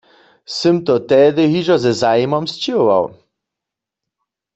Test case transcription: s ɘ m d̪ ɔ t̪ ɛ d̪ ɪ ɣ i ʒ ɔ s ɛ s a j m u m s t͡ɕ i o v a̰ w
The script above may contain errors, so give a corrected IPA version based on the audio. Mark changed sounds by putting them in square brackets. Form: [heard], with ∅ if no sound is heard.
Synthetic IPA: s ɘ m [t̪] ɔ t̪ ɛ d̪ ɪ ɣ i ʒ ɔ [z] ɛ [z] a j m [ɔ] m s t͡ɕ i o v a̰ w